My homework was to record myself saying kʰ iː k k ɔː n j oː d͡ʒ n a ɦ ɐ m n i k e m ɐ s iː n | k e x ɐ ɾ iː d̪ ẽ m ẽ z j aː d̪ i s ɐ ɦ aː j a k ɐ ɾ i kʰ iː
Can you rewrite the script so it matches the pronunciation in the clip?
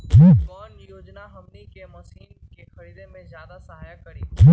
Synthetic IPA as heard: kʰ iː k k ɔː n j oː d͡ʒ n a ɦ ɐ m n i k e m ɐ s iː n | k e x ɐ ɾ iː d̪ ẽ m ẽ z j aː d̪ a s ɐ ɦ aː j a k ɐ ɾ i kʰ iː